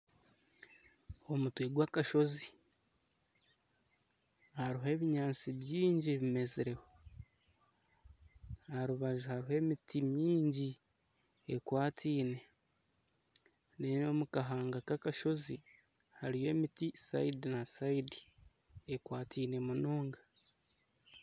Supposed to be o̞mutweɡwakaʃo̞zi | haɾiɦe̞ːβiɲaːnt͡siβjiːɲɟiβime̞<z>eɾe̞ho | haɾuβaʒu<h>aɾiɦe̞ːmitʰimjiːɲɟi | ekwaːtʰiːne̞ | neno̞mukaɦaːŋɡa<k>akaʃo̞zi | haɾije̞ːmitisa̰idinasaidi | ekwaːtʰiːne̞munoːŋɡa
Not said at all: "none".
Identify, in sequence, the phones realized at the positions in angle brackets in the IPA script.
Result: z, h, k

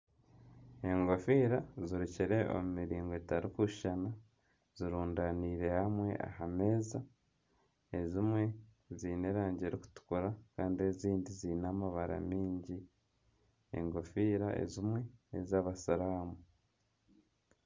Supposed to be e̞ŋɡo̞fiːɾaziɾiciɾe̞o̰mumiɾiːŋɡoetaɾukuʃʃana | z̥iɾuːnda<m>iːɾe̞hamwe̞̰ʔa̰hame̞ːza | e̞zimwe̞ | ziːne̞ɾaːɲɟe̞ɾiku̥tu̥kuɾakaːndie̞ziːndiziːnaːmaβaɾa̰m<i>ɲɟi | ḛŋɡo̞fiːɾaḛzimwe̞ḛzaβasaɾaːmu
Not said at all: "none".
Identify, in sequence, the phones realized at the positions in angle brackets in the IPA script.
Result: n, iː

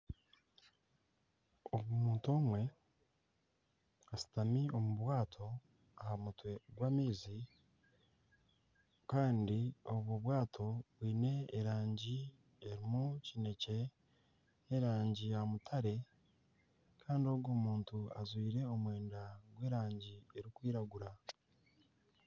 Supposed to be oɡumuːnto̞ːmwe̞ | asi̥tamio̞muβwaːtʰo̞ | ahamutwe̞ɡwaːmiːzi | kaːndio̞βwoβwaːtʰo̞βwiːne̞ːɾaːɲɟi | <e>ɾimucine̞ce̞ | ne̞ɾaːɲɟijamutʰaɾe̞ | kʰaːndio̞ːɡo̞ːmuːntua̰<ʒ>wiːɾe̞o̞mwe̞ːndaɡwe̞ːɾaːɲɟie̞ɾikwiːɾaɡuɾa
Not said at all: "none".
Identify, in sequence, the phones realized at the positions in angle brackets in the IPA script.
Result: e, z

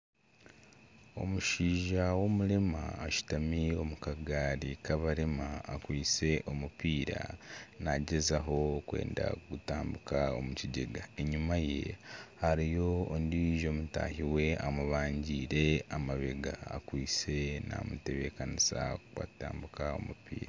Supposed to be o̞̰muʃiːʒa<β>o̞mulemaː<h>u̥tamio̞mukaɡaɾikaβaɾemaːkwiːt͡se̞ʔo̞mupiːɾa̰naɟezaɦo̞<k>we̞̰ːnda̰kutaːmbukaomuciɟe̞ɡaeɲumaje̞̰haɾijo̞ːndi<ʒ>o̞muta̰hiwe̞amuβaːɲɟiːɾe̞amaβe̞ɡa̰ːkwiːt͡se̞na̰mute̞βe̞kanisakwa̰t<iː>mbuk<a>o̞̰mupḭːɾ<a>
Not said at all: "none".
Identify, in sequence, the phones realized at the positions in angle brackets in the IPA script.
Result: w, ʃ, k, ʒ, aː, a, a

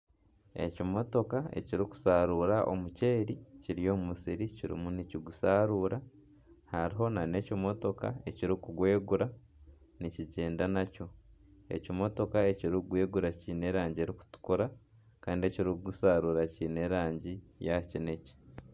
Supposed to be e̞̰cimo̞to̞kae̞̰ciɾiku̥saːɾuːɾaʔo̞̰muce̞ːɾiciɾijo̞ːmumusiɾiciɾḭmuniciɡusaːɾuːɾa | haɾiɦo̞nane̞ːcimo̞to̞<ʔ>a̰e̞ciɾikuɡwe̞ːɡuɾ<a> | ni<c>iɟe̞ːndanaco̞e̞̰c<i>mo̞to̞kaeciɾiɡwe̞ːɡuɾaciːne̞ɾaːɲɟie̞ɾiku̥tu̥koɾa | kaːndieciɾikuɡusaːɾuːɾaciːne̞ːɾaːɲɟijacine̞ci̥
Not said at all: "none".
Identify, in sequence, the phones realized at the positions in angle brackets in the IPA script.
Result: k, a, c, i

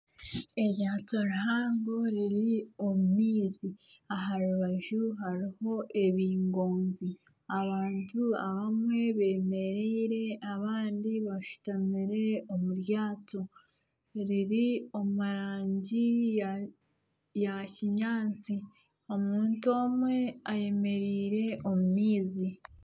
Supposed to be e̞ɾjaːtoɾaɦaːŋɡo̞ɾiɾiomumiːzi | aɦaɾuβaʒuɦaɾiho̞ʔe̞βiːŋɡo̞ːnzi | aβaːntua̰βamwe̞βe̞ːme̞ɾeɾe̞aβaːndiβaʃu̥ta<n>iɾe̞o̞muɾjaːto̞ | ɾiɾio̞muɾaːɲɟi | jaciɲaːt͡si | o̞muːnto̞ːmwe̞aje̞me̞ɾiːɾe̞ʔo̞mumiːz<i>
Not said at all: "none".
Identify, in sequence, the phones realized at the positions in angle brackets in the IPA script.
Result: m, i

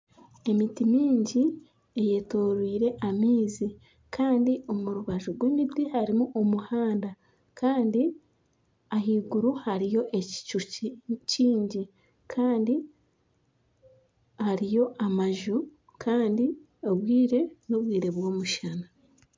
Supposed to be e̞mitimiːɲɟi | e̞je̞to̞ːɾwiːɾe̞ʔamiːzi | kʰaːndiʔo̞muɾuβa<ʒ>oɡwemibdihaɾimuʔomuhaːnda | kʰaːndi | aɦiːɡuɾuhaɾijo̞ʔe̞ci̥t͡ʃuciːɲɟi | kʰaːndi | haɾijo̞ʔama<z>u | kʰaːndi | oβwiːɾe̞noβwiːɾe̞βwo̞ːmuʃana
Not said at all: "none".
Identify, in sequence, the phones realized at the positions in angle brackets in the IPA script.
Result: ʒ, ʒ

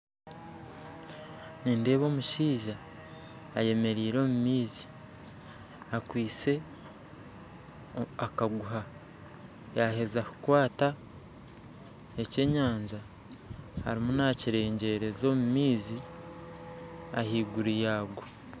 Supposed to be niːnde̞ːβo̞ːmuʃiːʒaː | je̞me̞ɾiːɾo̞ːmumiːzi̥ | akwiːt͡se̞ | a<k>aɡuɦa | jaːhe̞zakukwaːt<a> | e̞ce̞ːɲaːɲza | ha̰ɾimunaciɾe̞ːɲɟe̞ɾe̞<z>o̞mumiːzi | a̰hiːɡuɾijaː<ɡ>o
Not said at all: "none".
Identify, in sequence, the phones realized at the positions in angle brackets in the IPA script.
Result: k, a, z, ɡ

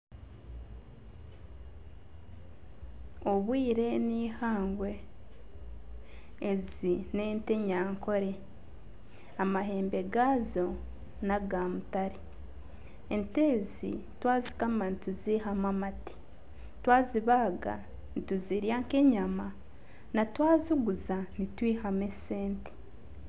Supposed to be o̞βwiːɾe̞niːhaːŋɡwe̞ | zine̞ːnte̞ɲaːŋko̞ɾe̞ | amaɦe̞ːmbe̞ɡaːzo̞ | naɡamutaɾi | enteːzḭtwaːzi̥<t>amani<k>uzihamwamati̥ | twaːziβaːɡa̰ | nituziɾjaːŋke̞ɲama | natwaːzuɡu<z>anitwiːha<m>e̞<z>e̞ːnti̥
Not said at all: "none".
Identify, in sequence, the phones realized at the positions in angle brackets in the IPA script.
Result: k, t, z, m, s

